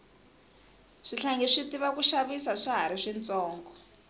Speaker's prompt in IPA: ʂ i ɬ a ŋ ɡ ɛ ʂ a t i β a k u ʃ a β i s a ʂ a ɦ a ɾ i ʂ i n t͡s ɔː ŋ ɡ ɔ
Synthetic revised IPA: ʂ i ɬ a ŋ ɡ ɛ ʂ i t i β a k u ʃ a β i s a ʂ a ɦ a ɾ i ʂ i n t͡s ɔː ŋ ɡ ɔ